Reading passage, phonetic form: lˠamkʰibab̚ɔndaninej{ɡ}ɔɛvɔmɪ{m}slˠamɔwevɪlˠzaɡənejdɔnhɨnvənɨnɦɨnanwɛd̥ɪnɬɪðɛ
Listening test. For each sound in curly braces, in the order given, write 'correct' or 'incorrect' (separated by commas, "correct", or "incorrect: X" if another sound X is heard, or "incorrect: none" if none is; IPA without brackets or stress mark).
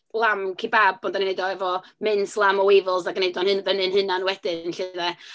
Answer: incorrect: d, incorrect: n